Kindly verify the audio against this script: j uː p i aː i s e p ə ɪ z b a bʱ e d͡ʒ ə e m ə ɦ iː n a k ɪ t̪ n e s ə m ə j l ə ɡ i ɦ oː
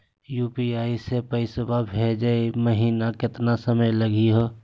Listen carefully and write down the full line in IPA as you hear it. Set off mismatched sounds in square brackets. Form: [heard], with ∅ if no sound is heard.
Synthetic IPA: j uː p i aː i s e p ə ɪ [s] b a bʱ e d͡ʒ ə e m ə ɦ iː n a k ɪ t̪ n [a] s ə m ə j l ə ɡ i ɦ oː